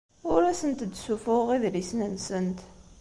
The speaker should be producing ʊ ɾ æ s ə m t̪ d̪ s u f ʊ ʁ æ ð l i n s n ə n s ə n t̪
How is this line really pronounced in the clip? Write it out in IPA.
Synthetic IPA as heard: ʊ ɾ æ s ə n t̪ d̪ s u f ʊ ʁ i ð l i s n ə n s ə n t̪